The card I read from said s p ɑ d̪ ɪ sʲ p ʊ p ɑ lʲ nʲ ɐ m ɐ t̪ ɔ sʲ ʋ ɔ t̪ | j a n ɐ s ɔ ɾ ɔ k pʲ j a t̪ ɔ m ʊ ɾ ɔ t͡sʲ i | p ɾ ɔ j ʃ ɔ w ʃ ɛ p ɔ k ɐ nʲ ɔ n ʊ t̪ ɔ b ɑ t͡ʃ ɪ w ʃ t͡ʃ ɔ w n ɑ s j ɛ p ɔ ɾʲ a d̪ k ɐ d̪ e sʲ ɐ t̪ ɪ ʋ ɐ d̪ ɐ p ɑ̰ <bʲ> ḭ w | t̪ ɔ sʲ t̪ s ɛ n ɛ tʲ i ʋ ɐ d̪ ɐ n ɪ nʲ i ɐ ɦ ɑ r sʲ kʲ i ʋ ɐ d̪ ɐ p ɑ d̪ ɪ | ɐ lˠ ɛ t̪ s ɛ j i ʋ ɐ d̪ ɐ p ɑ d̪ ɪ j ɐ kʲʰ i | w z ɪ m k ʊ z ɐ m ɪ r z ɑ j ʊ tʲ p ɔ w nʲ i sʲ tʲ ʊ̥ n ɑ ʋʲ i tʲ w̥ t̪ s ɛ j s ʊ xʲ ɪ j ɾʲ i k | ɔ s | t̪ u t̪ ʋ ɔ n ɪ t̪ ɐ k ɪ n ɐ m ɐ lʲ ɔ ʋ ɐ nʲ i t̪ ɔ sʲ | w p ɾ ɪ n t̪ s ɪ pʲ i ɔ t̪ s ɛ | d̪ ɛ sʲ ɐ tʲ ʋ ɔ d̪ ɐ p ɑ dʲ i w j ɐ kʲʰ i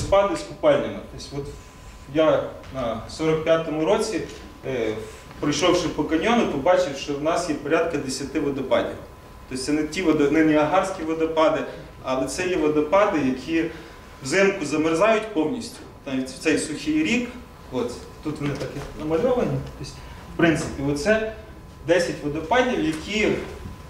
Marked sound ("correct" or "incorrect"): incorrect